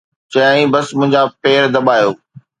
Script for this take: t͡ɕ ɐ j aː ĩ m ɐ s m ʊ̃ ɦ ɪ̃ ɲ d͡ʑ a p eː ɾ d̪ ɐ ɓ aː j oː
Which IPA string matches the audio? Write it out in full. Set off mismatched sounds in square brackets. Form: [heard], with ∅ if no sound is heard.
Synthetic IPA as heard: t͡ɕ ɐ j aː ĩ [b] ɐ s m ʊ̃ ɦ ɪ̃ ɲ d͡ʑ a p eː ɾ d̪ ɐ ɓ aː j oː